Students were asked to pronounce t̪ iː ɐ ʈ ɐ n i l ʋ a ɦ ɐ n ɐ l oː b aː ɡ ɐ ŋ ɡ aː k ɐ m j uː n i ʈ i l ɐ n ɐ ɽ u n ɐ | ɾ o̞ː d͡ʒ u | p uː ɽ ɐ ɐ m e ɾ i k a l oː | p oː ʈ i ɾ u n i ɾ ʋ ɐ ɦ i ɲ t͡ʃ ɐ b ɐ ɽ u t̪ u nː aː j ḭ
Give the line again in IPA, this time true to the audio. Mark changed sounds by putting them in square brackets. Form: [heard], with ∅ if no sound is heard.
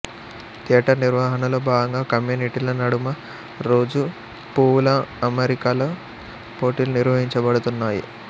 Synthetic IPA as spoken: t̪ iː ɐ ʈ ɐ n i [ɾ] ʋ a ɦ ɐ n ɐ l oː b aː ɡ ɐ ŋ ɡ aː k ɐ m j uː n i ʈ i l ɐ n ɐ ɽ u [m] ɐ | ɾ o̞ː d͡ʒ u | p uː [l] ɐ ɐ m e ɾ i k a l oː | p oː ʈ i [l] u n i ɾ ʋ ɐ ɦ i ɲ t͡ʃ ɐ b ɐ ɽ u t̪ u nː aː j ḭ

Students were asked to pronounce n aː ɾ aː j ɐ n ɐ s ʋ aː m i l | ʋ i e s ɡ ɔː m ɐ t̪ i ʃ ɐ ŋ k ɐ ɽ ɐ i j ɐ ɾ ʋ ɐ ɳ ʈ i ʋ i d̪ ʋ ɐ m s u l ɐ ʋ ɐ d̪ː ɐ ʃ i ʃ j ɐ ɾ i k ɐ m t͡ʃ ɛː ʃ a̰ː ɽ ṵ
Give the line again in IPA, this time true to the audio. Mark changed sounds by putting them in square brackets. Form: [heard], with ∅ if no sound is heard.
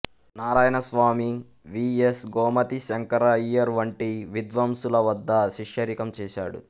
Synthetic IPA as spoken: n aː ɾ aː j ɐ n ɐ s ʋ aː m i [∅] | ʋ i e s ɡ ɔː m ɐ t̪ i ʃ ɐ ŋ k ɐ [ɾ] ɐ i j ɐ ɾ ʋ ɐ ɳ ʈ i ʋ i d̪ ʋ ɐ m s u l ɐ ʋ ɐ d̪ː ɐ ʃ i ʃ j ɐ ɾ i k ɐ m t͡ʃ ɛː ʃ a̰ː ɽ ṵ

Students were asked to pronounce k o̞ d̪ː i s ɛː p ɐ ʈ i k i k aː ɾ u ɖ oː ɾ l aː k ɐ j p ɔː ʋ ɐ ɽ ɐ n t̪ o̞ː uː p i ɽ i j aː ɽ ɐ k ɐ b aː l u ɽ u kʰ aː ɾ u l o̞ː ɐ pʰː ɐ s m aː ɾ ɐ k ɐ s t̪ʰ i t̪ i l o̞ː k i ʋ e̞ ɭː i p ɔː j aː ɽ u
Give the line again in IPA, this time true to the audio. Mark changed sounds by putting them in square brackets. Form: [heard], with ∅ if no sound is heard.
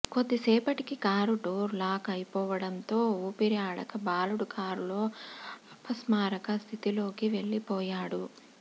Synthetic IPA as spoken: k o̞ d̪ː i s ɛː p ɐ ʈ i k i k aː ɾ u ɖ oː ɾ l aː k ɐ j p ɔː ʋ ɐ ɽ ɐ n t̪ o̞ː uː p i [ɾ] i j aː ɽ ɐ k ɐ b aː l u ɽ u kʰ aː ɾ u l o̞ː ɐ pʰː ɐ s m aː ɾ ɐ k ɐ s t̪ʰ i t̪ i l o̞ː k i ʋ e̞ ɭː i p ɔː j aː ɽ u

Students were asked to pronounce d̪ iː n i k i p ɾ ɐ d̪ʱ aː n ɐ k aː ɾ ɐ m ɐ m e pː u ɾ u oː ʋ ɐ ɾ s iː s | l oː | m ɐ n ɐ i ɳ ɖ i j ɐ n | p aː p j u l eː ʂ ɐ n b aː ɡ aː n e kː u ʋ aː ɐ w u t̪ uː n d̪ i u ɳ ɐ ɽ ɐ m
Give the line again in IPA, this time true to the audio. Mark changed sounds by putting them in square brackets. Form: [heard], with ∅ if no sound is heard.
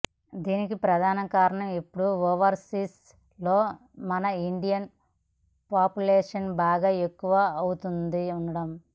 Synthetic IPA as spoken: d̪ iː n i k i p ɾ ɐ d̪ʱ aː n ɐ k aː ɾ ɐ [ɳ] ɐ m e pː u [ɽ] u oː ʋ ɐ ɾ s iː s | l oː | m ɐ n ɐ i ɳ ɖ i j ɐ n | p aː p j u l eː ʂ ɐ n b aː ɡ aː [∅] e kː u ʋ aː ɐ w u t̪ [u] n d̪ i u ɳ ɐ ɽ ɐ m

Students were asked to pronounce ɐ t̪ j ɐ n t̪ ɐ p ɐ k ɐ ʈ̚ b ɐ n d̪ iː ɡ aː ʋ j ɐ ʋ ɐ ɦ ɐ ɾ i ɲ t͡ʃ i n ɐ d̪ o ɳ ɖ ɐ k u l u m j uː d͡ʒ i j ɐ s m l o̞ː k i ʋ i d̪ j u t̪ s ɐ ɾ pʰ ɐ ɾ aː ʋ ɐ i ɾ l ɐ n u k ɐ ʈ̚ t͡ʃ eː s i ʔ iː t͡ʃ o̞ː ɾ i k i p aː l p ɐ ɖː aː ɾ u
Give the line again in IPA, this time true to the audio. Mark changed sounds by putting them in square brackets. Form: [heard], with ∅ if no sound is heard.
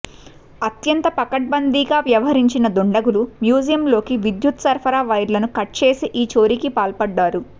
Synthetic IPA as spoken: ɐ t̪ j ɐ n t̪ ɐ p ɐ k ɐ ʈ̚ b ɐ n d̪ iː ɡ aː ʋ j ɐ ʋ ɐ ɦ ɐ ɾ i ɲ t͡ʃ i n ɐ d̪ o ɳ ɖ ɐ [ɡ] u l u m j uː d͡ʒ i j ɐ [∅] m l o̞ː k i ʋ i d̪ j u t̪ s ɐ ɾ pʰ ɐ ɾ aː ʋ ɐ [j] ɾ l ɐ n u k ɐ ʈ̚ t͡ʃ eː s i ʔ iː t͡ʃ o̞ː ɾ i k i p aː l p ɐ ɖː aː ɾ u

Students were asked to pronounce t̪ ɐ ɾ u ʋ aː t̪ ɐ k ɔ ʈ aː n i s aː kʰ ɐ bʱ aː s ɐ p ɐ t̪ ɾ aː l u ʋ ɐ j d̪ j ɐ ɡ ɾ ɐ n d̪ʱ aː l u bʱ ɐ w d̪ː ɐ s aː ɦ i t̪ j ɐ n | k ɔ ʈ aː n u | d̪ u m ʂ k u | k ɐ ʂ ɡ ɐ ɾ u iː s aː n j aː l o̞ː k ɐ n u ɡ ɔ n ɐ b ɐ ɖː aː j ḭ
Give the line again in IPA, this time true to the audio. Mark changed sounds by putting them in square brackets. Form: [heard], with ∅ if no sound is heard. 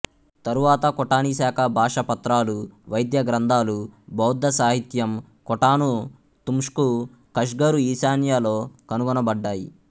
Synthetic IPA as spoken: t̪ ɐ ɾ u ʋ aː t̪ ɐ k ɔ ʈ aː n i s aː kʰ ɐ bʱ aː [ʂ] ɐ p ɐ t̪ ɾ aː l u ʋ ɐ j d̪ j ɐ ɡ ɾ ɐ n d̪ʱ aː l u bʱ ɐ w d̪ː ɐ s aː ɦ i t̪ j ɐ [m] | k ɔ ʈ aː n u | [t̪] u m ʂ k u | k ɐ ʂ ɡ ɐ ɾ u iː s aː n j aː l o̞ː k ɐ n u ɡ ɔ n ɐ b ɐ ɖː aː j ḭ

